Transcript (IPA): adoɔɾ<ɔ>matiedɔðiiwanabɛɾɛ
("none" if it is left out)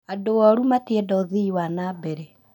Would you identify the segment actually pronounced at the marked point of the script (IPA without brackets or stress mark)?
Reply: u